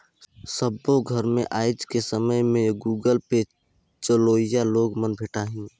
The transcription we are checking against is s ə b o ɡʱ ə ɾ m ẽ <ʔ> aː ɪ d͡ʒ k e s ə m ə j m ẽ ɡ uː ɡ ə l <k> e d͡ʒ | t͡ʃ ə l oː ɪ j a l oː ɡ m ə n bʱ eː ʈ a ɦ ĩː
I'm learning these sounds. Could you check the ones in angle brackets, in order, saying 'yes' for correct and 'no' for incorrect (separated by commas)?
yes, no